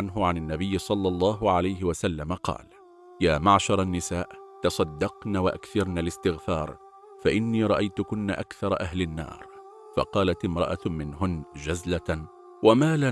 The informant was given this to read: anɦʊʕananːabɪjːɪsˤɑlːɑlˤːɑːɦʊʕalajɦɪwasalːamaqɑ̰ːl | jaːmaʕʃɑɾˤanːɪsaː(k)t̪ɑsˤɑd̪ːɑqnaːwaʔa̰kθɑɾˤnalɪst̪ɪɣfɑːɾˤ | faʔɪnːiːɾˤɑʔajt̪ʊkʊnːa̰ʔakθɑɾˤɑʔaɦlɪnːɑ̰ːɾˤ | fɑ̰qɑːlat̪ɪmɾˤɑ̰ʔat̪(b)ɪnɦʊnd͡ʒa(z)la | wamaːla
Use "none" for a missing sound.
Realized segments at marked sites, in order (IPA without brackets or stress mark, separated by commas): ʔ, m, z